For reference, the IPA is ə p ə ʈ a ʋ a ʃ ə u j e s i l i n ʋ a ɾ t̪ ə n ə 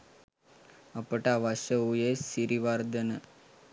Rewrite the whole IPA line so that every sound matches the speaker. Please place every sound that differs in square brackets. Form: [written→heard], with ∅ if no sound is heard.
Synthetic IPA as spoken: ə p ə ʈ a ʋ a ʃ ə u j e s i [l→ɾ] i [n→∅] ʋ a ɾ [t̪→d̪] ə n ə